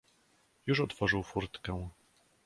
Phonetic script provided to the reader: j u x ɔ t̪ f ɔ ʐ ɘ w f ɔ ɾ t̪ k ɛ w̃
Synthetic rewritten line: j u ʂ ɔ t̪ f ɔ ʐ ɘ w f u ɾ t̪ k ɛ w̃